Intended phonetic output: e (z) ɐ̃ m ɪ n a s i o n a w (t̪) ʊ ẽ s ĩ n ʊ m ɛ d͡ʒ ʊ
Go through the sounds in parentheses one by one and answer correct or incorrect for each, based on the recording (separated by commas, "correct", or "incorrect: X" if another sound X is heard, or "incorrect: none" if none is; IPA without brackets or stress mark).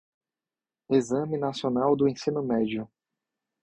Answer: correct, incorrect: d̪